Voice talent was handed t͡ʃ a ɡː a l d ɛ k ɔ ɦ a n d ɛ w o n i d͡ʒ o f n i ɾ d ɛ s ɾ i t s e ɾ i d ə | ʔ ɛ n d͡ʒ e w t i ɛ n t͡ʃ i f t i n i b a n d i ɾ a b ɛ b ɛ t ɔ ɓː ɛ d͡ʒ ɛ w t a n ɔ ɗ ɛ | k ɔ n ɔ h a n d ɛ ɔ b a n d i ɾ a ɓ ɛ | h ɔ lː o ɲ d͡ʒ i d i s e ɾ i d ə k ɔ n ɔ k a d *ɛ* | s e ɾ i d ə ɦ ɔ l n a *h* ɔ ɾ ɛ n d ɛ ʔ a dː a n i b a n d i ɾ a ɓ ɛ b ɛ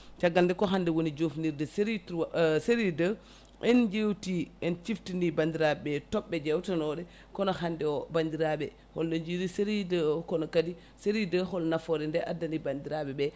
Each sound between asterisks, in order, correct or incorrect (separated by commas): incorrect, incorrect